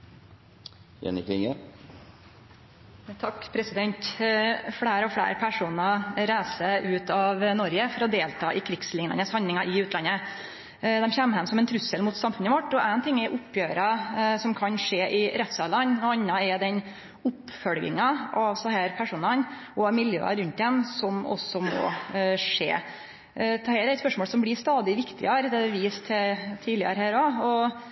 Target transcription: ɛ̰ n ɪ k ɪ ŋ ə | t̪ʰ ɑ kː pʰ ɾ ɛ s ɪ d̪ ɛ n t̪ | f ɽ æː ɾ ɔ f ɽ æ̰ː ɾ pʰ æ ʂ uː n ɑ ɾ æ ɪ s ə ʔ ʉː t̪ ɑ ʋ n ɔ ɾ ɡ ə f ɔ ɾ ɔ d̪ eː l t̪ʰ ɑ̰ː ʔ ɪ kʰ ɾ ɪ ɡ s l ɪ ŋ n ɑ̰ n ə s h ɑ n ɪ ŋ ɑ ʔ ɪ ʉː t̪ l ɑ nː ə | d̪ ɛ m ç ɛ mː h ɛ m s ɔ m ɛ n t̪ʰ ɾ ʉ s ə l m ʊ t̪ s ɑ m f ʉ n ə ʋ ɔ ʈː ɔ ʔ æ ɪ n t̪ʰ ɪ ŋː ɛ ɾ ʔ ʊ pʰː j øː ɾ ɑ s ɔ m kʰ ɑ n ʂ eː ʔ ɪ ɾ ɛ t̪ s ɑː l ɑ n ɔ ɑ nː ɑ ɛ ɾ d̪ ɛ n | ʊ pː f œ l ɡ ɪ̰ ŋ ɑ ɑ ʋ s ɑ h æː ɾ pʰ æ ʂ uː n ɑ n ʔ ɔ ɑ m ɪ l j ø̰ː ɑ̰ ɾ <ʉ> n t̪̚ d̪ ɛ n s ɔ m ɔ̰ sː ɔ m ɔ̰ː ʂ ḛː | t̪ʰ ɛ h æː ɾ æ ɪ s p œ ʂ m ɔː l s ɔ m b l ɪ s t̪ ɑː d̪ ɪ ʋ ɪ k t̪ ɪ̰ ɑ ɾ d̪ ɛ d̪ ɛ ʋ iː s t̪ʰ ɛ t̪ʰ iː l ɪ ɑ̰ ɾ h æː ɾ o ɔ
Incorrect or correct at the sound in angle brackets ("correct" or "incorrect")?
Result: correct